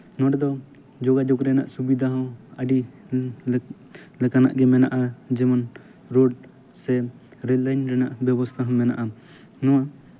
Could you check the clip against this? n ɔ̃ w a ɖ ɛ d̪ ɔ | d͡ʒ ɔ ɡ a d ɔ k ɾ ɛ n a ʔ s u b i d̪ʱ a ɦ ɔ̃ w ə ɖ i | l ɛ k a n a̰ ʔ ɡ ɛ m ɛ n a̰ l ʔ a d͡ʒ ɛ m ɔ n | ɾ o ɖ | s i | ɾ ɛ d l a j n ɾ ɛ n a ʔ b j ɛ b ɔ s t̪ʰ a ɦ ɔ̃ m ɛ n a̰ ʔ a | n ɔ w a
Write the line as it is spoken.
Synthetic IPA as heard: n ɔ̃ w a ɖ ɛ d̪ ɔ | d͡ʒ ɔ ɡ a d͡ʒ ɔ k ɾ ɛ n a ʔ s u b i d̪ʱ a ɦ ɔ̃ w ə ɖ i | l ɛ k a n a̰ ʔ ɡ ɛ m ɛ n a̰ ʔ a d͡ʒ ɛ m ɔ n | ɾ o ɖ | s ɛ | ɾ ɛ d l a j n ɾ ɛ n a ʔ b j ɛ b ɔ s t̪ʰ a ɦ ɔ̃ m ɛ n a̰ ʔ a | n ɔ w a